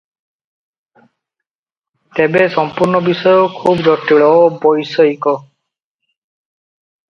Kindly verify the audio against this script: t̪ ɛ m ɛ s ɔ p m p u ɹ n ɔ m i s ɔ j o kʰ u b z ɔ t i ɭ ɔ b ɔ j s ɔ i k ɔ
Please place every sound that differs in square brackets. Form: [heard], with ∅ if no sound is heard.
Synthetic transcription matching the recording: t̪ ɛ [b] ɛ s ɔ [∅] m p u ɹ n ɔ [b] i s ɔ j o kʰ u b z ɔ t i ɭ ɔ b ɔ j s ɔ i k ɔ